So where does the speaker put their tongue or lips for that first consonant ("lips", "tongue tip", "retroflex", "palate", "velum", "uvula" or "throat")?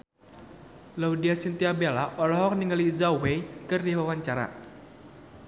tongue tip